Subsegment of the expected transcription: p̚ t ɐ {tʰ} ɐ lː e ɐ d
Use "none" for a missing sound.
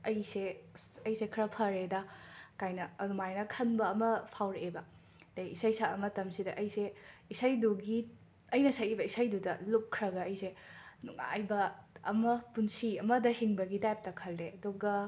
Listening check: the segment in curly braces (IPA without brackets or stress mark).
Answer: kʰ